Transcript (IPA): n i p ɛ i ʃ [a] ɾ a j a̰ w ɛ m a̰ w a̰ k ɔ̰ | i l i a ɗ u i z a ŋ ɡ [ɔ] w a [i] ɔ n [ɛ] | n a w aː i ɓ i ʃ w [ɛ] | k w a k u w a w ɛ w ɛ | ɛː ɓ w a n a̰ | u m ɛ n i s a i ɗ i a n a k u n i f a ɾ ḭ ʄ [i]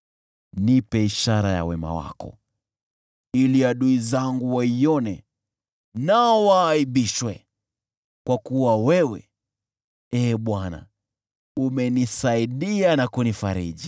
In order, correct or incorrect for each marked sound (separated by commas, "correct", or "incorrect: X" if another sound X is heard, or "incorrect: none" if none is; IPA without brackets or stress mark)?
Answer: correct, incorrect: u, correct, correct, correct, correct